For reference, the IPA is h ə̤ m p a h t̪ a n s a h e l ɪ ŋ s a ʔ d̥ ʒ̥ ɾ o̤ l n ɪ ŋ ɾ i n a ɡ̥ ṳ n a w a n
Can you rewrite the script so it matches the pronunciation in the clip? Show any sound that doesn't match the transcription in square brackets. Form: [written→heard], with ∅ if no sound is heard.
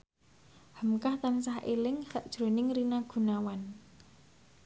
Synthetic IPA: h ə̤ m [p→k] a h t̪ a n s a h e l ɪ ŋ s a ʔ d̥ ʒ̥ ɾ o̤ [l→∅] n ɪ ŋ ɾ i n a ɡ̥ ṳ n a w a n